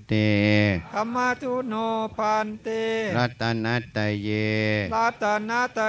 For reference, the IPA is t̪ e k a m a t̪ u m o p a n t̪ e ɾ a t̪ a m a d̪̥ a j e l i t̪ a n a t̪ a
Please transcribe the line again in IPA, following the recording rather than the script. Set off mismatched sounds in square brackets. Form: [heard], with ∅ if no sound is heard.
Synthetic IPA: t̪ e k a m a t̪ u [n] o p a n t̪ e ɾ a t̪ a [n] a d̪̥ a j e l [a] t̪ a n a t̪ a